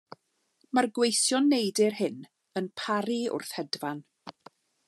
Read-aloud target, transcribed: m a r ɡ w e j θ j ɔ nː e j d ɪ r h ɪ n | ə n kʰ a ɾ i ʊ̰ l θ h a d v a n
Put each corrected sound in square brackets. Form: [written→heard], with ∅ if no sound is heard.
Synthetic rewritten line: m a r ɡ w e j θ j ɔ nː e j d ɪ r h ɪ n | ə n [kʰ→pʰ] a ɾ i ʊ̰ [l→r] θ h [a→ɛ] d v a n